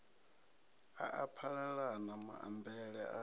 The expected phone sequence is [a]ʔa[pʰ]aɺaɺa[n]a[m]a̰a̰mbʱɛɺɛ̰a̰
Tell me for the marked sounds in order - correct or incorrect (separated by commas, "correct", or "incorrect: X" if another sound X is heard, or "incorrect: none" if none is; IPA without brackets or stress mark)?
correct, correct, correct, correct